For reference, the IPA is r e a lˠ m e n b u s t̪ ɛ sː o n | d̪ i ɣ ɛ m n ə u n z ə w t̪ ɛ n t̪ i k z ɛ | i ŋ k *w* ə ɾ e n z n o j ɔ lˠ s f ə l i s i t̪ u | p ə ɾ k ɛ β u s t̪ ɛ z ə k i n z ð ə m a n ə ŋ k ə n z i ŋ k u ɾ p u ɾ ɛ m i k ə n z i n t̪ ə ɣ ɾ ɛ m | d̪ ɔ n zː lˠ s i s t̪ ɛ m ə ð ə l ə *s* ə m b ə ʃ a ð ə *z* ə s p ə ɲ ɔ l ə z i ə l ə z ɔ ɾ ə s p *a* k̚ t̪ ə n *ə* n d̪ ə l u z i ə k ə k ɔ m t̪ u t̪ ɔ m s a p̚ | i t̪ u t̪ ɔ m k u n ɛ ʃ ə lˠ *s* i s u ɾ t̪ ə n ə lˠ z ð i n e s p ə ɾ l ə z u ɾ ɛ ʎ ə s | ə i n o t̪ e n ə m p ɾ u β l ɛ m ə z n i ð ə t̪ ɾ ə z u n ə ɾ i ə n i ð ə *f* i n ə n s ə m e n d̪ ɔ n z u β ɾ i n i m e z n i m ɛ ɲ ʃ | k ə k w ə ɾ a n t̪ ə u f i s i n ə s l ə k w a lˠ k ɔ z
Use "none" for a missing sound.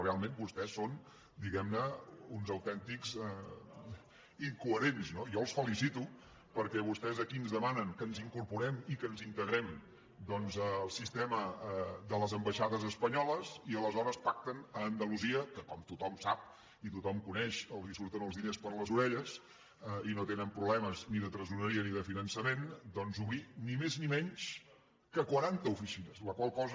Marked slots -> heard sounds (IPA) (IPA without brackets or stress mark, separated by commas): u, z, z, a, əː, z, f